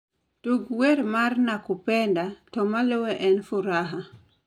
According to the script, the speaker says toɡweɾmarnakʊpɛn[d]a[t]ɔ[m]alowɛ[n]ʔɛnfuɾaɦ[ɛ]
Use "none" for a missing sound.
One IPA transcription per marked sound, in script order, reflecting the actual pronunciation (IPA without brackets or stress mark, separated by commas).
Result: d, t, m, none, a